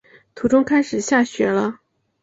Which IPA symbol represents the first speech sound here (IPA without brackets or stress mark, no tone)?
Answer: t̪ʰ